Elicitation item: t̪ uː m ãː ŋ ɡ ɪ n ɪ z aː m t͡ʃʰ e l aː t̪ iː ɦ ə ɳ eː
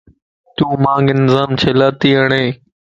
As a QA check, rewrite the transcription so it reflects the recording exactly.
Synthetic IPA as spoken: t̪ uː m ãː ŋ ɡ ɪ n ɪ z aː m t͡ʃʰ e l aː t̪ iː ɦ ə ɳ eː